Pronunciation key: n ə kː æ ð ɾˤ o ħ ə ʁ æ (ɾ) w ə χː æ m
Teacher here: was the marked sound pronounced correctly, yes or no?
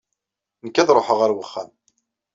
yes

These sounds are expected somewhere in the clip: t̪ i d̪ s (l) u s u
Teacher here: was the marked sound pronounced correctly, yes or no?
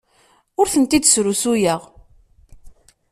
no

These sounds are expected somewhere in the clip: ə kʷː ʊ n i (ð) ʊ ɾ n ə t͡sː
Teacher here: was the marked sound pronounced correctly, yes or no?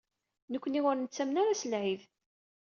no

